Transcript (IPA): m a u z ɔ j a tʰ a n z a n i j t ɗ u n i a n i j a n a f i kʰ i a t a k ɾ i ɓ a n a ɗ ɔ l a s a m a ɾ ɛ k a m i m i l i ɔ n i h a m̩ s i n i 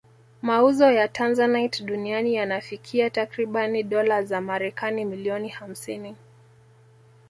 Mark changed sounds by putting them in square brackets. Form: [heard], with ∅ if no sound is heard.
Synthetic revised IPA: m a u z ɔ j a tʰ a n z a n [a] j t ɗ u n i a n i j a n a f i kʰ i a t a k ɾ i ɓ a n [i] ɗ ɔ l a [z] a m a ɾ ɛ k a [n] i m i l i ɔ n i h a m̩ s i n i